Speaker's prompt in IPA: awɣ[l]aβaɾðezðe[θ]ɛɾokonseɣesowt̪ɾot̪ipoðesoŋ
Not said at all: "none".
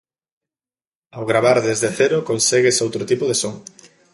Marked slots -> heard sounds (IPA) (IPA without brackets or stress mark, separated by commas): ɾ, θ